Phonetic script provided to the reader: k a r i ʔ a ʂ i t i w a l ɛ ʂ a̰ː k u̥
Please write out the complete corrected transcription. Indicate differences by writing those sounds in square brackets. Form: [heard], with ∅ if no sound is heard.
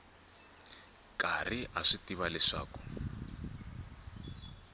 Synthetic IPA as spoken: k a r i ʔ a ʂ i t i [β] a l ɛ ʂ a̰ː k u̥